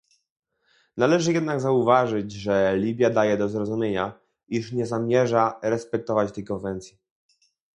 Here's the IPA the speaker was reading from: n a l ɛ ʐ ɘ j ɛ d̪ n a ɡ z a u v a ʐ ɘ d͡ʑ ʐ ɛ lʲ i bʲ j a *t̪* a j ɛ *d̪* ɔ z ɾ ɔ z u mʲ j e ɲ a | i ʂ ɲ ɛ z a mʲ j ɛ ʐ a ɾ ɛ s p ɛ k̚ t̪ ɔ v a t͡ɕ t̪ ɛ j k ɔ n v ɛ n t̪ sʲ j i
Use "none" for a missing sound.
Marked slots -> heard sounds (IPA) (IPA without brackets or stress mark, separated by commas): d̪, d̪